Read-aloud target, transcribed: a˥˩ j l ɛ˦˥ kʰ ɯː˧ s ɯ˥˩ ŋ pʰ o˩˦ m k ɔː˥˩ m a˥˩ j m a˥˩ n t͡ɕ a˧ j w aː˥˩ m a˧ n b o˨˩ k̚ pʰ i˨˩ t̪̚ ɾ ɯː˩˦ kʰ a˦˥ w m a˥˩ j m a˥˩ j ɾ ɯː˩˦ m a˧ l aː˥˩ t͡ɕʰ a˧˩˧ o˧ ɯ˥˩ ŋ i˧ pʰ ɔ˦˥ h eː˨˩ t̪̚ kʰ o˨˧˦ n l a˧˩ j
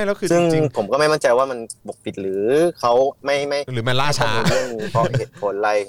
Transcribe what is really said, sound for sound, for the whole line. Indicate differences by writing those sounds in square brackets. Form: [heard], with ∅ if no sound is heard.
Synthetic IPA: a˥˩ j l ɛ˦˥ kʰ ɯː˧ s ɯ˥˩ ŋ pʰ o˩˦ m k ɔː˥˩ m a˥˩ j m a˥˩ n t͡ɕ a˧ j w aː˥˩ m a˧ n b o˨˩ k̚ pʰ i˨˩ t̪̚ ɾ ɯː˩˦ kʰ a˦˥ w m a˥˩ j m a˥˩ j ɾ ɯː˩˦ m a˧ l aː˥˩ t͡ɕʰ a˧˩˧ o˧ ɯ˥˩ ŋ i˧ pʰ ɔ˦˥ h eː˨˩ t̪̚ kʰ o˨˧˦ n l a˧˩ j